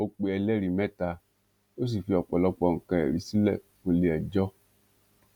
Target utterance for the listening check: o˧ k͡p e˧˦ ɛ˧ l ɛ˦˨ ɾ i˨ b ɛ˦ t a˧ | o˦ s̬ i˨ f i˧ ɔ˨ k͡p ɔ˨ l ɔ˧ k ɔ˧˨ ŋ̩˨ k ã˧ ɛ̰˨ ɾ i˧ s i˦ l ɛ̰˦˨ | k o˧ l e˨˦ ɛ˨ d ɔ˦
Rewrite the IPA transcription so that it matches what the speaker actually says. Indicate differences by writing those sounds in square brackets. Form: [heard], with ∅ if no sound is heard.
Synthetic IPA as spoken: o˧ k͡p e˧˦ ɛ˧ l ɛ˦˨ ɾ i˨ [m] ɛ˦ t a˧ | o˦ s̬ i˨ f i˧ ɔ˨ k͡p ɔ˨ l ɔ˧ [k͡p] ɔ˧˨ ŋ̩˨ k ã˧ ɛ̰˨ ɾ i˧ s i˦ l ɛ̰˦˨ | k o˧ l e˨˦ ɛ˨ [d͡ʒ] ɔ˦